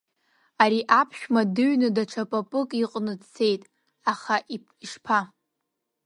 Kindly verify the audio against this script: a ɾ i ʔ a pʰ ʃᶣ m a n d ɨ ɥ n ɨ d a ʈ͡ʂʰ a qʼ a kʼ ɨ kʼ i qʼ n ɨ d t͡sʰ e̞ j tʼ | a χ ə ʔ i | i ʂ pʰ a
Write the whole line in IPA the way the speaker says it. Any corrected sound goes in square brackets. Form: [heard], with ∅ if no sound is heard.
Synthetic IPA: a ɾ i ʔ a pʰ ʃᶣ m a [∅] d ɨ ɥ n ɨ d a ʈ͡ʂʰ a [pʼ] a [pʼ] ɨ kʼ i qʼ n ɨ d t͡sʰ e̞ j tʼ | a χ [a] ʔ i | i ʂ pʰ a

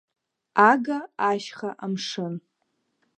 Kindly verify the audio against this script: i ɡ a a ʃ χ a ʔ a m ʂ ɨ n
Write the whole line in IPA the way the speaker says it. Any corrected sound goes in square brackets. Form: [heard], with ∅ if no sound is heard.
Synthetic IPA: [a] ɡ a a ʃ χ a ʔ a m ʂ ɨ n

